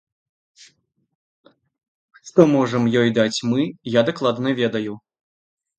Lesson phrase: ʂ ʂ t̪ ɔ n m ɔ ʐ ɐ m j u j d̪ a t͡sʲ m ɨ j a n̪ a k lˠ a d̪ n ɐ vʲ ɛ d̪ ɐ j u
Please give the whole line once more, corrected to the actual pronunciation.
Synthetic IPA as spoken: ʂ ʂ t̪ ɔ m ɔ ʐ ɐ m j ɔ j d̪ a t͡sʲ m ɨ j a d̪ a k lˠ a d̪ n ɐ vʲ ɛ d̪ ɐ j u